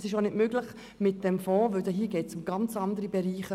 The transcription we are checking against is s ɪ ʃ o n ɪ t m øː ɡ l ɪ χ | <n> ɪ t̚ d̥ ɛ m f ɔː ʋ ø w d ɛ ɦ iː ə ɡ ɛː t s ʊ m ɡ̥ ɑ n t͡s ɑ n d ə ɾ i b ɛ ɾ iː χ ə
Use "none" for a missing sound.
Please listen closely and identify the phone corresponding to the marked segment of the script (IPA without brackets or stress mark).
m